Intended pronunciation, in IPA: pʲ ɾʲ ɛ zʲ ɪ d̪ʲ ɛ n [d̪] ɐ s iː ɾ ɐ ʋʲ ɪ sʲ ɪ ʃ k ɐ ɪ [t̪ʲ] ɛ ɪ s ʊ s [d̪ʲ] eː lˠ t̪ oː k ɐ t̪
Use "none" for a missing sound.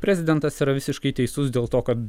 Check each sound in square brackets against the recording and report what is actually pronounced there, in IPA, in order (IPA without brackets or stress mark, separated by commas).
t̪, t̪ʲ, d̪ʲ